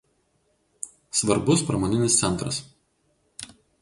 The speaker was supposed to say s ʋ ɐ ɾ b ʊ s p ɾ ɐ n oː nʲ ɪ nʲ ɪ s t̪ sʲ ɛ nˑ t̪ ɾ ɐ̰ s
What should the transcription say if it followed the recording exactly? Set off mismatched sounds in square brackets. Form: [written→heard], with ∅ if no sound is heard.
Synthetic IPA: s ʋ ɐ ɾ b ʊ s p ɾ ɐ [n→m] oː nʲ ɪ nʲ ɪ s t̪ sʲ ɛ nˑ t̪ ɾ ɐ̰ s